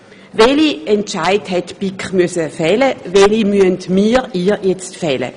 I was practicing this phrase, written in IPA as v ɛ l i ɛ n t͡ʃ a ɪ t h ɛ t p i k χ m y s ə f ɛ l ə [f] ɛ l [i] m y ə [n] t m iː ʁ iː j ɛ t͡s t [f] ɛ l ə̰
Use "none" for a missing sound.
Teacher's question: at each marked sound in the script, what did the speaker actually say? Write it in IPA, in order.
v, i, n, f

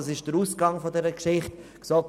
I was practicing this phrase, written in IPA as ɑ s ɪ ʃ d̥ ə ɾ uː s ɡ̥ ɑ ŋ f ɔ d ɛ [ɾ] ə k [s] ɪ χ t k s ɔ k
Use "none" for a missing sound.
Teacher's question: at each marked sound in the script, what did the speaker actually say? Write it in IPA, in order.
ɾ, ʃ

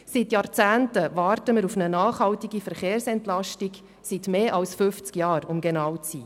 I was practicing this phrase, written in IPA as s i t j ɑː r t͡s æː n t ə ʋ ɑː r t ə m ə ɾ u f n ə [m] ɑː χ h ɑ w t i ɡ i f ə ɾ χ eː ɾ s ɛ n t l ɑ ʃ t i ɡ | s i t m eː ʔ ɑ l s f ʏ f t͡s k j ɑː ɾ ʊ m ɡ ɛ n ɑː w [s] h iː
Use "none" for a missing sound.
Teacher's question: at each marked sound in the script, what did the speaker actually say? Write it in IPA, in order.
n, t͡s

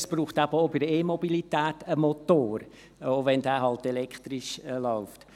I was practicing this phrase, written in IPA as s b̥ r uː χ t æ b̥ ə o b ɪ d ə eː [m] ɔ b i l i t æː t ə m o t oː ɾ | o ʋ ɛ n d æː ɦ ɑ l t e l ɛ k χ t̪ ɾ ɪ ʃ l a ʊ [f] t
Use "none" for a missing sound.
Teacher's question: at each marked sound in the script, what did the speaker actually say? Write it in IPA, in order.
m, f

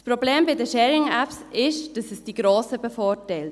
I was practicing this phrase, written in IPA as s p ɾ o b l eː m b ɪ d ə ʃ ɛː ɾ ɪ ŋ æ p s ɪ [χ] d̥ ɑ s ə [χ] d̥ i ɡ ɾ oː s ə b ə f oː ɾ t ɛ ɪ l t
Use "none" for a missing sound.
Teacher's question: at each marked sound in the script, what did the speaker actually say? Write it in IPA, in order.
ʃ, s

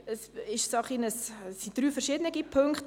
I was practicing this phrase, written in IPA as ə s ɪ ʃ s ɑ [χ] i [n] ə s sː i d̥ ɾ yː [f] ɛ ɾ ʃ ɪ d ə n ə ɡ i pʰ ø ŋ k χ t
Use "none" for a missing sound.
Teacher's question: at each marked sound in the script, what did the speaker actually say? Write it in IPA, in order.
χ, n, f

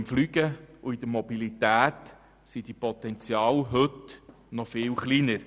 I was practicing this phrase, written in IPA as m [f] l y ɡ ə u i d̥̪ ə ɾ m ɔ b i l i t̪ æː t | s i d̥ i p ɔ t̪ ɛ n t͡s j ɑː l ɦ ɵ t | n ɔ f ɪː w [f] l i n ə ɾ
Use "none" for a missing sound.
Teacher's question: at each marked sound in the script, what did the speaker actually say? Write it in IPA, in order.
f, χ

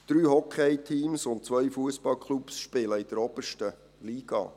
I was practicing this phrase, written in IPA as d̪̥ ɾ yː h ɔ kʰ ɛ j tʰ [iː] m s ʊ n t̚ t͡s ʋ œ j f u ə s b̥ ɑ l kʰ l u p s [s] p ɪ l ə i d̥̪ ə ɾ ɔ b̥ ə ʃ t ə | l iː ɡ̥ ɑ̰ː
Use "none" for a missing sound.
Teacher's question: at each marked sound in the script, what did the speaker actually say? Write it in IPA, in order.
iː, ʃ

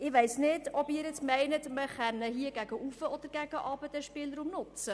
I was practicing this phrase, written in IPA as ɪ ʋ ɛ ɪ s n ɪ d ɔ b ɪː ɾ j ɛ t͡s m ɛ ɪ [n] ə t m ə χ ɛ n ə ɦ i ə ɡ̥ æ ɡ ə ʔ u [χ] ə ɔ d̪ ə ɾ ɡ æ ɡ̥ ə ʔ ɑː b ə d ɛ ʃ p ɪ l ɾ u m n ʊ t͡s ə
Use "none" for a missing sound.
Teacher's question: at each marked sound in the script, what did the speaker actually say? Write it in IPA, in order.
n, f

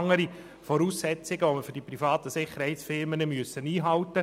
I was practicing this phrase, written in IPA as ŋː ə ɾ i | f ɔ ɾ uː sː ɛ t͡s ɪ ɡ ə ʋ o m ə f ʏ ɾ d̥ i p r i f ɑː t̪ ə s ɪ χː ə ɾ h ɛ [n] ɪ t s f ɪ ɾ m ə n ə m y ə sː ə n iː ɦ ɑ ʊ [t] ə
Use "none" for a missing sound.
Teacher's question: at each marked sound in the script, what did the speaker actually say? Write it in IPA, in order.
none, t

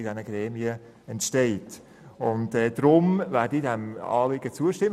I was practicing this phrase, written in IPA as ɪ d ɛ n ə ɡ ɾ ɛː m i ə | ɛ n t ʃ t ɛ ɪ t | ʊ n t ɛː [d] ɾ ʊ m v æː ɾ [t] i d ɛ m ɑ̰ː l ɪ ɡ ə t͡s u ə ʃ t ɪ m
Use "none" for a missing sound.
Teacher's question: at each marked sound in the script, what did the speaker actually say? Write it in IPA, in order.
d, d

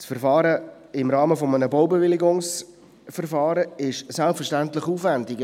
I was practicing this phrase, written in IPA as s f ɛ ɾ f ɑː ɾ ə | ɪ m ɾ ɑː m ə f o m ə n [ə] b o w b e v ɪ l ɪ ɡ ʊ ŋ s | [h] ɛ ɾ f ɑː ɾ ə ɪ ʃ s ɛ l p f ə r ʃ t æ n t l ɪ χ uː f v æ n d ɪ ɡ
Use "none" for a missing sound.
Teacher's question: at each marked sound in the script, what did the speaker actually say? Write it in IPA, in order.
ə, f

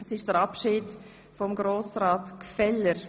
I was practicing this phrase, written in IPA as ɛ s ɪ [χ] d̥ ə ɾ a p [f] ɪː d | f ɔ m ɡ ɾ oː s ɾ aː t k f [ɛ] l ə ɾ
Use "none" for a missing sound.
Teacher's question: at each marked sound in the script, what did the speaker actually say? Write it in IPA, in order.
ʃ, ʃ, ɛ

